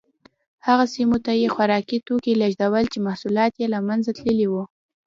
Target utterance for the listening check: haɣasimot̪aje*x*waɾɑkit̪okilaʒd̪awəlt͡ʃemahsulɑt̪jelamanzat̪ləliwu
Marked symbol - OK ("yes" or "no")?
yes